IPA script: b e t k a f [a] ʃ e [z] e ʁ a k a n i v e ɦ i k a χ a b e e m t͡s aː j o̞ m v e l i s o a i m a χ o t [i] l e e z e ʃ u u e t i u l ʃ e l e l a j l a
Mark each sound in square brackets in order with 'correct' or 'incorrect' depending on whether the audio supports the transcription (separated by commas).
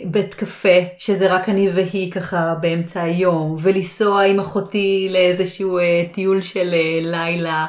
incorrect, correct, correct